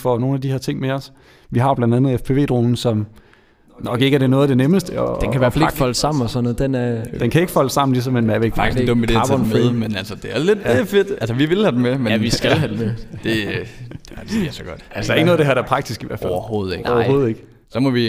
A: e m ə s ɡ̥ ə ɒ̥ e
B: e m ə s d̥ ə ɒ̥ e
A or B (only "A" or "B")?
B